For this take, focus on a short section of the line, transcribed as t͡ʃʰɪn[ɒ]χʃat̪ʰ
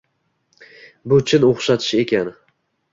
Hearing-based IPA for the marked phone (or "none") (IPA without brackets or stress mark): o